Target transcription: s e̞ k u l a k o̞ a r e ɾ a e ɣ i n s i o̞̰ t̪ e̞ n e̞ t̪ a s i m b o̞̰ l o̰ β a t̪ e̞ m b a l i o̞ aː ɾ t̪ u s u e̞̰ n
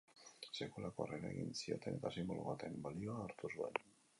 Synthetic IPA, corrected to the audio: s e̞ k u l a k o̞ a r e ɾ a e ɣ i n s i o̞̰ t̪ e̞ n e̞ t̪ a s i m b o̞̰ l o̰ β a t̪ e̞ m b a l i o̞ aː ɾ t̪ u s u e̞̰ n